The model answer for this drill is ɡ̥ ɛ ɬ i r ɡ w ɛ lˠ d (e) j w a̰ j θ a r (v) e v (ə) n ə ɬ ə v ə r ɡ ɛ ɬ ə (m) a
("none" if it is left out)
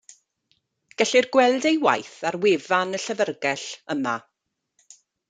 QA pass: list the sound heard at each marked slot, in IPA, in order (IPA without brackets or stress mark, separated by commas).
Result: e, w, a, m